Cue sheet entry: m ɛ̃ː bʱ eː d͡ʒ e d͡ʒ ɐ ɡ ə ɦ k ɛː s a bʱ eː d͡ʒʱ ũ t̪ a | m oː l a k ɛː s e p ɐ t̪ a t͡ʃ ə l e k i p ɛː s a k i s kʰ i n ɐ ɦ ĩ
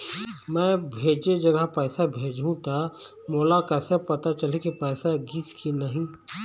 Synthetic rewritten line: m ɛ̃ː bʱ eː d͡ʒ e d͡ʒ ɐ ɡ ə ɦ p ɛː s a bʱ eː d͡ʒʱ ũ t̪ a | m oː l a k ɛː s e p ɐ t̪ a t͡ʃ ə l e k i p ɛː s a ɡ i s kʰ i n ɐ ɦ ĩ